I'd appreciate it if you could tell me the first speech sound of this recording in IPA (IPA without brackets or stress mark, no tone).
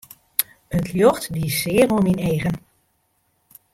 ə